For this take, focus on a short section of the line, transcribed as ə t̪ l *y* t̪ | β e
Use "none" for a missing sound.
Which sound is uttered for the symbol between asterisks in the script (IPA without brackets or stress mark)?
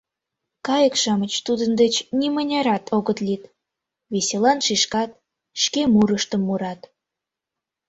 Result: i